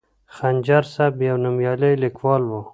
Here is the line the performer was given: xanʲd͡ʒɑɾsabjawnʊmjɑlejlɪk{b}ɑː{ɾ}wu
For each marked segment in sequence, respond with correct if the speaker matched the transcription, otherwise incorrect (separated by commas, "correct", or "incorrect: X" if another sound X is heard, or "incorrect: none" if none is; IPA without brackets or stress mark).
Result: incorrect: w, incorrect: l